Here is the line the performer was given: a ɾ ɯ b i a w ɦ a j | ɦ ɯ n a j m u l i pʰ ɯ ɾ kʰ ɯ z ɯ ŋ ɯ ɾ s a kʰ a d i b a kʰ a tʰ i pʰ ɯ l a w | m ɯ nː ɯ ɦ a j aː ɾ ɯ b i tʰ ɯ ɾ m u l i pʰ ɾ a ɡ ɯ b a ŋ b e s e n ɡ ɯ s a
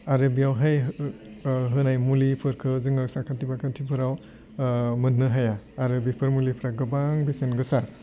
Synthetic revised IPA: a ɾ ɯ b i a w ɦ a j | ɦ ɯ n a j m u l i pʰ ɯ ɾ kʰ ɯ z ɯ ŋ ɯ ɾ s a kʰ a t i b a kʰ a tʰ i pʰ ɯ ɾ a w | m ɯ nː ɯ ɦ a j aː ɾ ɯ b i pʰ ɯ ɾ m u l i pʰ ɾ a ɡ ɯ b a ŋ b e s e n ɡ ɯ s a